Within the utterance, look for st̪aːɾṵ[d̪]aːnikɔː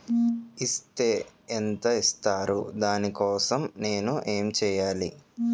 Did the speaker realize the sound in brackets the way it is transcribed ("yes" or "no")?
yes